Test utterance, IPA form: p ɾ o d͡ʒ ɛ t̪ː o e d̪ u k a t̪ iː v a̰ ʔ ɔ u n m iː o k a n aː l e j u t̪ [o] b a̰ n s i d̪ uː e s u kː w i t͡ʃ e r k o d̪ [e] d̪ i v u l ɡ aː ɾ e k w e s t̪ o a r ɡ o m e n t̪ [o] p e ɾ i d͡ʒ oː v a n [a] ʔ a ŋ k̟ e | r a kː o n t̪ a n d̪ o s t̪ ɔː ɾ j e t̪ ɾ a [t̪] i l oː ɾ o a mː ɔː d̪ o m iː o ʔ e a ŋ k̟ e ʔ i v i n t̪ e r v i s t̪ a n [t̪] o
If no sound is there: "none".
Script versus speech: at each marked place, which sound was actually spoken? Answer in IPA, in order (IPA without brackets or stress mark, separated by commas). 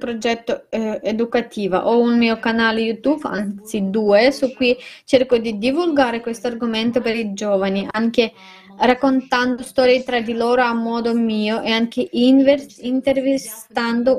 u, i, o, i, d̪, d̪